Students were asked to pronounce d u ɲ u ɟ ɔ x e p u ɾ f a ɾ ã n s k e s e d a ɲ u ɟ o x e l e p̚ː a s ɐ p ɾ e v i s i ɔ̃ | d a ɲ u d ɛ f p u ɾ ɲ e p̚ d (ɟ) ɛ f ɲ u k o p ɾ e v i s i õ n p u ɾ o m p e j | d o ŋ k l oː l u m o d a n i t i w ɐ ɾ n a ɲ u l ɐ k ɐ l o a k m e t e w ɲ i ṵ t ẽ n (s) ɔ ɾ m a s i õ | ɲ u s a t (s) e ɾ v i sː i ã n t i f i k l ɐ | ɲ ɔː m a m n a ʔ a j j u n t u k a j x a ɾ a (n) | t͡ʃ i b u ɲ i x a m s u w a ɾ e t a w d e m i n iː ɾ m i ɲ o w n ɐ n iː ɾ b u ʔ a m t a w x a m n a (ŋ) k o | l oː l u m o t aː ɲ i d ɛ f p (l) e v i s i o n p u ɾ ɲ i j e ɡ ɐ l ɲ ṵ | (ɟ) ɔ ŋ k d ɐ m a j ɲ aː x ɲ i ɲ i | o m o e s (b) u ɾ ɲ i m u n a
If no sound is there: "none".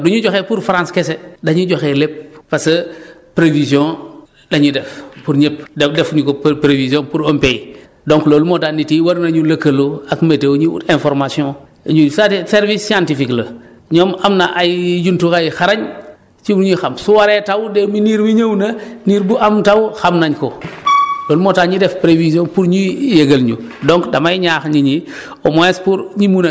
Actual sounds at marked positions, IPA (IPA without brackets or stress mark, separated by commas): d, f, s, ɲ, ɲ, ɾ, d, p